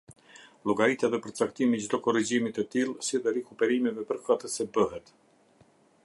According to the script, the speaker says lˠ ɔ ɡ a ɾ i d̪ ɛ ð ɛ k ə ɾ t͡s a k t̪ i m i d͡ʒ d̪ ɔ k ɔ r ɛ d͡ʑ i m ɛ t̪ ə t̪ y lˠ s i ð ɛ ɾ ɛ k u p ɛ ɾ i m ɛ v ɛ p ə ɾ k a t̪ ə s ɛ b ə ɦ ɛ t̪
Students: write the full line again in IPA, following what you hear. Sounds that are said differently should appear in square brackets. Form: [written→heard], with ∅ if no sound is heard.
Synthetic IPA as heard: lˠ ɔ ɡ a ɾ i [d̪→t̪] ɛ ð ɛ [k→p] ə ɾ t͡s a k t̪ i m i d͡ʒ d̪ ɔ k ɔ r [ɛ→i] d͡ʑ i m [ɛ→i] t̪ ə t̪ [y→i] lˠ s i ð ɛ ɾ ɛ k u p ɛ ɾ i m ɛ v ɛ p ə ɾ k a t̪ ə s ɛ b ə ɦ ɛ t̪